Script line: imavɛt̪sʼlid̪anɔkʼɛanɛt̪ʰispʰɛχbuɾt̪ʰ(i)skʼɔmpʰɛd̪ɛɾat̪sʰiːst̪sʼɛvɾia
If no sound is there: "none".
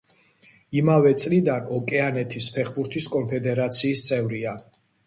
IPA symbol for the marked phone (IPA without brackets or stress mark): i